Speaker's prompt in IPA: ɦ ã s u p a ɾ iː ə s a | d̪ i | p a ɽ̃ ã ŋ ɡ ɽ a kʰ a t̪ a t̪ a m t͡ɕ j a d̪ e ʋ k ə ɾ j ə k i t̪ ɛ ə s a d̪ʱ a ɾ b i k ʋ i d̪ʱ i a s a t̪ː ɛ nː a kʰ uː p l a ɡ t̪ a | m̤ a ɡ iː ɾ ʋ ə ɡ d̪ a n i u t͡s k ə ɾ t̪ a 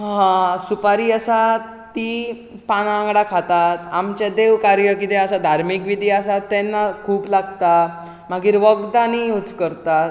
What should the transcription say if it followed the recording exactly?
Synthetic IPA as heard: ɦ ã s u p a ɾ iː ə s a | t̪ i | p a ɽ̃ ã ŋ ɡ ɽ a kʰ a t̪ a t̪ a m t͡ɕ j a d̪ e ʋ k a ɾ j ə k i t̪ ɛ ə s a d̪ʱ a ɾ m i k ʋ i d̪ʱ i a s a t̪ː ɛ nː a kʰ uː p l a ɡ t̪ a | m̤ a ɡ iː ɾ ʋ ə ɡ d̪ a n i u t͡s k ə ɾ t̪ a